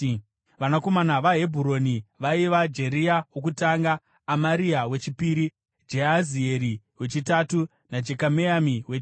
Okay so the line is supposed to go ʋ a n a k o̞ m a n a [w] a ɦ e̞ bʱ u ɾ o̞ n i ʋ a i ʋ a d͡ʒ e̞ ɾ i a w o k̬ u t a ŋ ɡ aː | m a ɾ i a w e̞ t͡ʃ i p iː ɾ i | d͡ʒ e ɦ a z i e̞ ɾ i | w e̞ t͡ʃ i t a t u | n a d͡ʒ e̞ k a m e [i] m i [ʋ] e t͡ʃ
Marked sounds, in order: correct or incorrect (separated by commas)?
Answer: incorrect, incorrect, incorrect